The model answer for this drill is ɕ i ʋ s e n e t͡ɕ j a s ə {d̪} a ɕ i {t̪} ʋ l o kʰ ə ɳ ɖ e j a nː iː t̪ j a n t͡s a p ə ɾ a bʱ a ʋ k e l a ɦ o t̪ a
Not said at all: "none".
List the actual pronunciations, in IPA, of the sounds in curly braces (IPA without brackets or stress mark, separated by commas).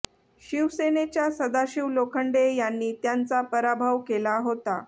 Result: d̪, none